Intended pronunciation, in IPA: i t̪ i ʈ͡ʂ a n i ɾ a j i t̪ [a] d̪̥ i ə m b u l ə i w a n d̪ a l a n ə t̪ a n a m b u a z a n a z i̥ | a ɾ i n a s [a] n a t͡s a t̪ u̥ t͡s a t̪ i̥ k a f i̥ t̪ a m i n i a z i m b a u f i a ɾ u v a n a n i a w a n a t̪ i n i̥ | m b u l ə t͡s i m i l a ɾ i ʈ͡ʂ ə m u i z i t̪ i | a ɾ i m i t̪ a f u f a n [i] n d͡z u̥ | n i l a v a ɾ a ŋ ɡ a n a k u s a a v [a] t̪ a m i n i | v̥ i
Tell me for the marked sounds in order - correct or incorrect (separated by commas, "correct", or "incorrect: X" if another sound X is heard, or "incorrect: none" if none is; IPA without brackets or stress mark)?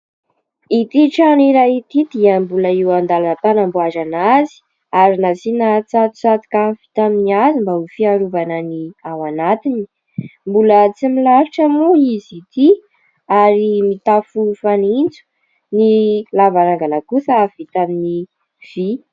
incorrect: i, incorrect: i, correct, incorrect: i